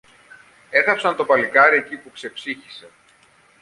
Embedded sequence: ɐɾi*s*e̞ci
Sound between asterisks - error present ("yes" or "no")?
yes